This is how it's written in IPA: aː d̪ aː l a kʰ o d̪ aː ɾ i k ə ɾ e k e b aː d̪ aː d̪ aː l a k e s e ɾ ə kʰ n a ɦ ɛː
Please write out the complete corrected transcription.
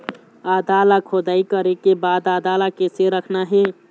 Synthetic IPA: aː d̪ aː l a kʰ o d̪ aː i k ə ɾ e k e b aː d̪ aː d̪ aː l a k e s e ɾ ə kʰ n a ɦ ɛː